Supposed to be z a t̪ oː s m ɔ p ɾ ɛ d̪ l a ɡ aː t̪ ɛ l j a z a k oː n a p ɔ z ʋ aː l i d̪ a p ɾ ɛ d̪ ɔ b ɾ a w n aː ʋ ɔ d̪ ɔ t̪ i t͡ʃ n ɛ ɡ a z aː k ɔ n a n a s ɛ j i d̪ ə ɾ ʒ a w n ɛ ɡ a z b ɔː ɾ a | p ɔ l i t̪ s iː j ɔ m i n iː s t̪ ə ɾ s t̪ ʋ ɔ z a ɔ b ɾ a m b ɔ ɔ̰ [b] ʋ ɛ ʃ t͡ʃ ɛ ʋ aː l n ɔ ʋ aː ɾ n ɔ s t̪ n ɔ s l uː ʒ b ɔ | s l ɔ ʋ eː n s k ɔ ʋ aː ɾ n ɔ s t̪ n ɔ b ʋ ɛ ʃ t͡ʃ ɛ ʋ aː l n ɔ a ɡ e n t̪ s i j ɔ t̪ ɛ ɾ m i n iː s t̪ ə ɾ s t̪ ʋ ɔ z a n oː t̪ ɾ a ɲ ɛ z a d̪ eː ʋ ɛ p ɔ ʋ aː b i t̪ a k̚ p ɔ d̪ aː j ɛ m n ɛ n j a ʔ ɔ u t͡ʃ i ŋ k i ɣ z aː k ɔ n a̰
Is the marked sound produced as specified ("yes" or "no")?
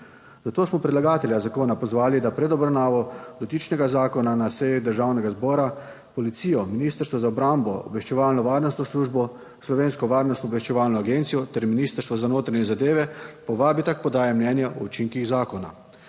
yes